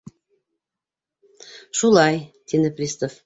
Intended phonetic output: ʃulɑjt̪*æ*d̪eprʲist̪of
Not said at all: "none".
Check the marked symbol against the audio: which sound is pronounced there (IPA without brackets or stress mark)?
i